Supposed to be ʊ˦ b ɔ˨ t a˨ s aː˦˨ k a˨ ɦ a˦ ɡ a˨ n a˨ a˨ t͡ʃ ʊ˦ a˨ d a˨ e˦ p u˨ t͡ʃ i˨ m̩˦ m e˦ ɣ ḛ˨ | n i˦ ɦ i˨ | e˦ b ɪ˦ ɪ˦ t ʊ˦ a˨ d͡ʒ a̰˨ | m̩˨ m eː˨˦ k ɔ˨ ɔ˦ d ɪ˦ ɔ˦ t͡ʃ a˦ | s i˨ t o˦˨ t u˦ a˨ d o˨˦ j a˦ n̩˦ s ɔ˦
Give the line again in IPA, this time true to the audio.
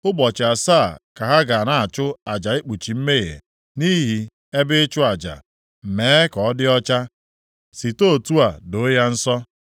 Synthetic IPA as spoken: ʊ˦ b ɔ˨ t͡ʃ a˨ s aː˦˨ k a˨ ɦ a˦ ɡ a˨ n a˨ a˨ t͡ʃ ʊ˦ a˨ d͡ʒ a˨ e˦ k͡p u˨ t͡ʃ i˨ m̩˦ m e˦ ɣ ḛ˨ | n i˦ ɦ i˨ | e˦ b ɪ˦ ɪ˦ t͡ʃ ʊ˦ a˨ d͡ʒ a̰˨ | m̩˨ m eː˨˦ k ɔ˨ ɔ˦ d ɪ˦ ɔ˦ t͡ʃ a˦ | s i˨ t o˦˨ t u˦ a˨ d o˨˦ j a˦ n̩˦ s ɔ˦